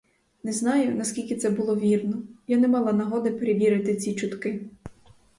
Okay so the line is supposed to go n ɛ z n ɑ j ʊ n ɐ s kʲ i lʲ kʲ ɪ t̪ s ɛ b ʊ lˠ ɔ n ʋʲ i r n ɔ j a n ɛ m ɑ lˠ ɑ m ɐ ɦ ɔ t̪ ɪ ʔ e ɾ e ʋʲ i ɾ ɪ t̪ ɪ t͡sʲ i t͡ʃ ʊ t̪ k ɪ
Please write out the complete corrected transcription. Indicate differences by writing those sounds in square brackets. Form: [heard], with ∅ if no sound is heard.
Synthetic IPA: n ɛ z n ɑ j ʊ n ɐ s kʲ i lʲ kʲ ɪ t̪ s ɛ b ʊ lˠ ɔ [∅] ʋʲ i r n ɔ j a n ɛ m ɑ lˠ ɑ [n] ɐ ɦ ɔ [d̪] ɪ [p] e ɾ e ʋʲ i ɾ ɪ t̪ ɪ t͡sʲ i t͡ʃ ʊ t̪ k ɪ